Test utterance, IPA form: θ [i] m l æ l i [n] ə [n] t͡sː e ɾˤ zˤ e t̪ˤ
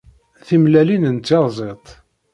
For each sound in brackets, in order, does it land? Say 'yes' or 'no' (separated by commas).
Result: yes, yes, yes